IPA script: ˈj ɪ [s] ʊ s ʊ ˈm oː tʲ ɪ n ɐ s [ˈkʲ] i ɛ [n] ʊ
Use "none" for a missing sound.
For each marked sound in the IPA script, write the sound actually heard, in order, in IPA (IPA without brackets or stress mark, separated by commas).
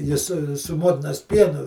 s, pʲ, n